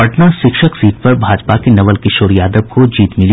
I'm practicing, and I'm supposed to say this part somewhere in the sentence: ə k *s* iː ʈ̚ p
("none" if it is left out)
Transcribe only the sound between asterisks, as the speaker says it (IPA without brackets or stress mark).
s